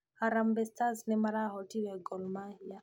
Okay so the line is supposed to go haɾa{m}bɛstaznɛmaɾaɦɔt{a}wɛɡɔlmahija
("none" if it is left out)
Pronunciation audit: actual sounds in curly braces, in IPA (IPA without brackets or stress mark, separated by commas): m, i